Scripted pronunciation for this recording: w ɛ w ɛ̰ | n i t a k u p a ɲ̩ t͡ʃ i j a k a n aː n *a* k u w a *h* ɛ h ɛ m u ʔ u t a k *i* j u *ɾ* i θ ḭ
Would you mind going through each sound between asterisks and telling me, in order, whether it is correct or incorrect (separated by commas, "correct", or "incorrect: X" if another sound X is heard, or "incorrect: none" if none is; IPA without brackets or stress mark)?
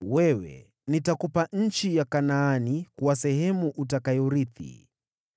incorrect: i, incorrect: s, incorrect: a, correct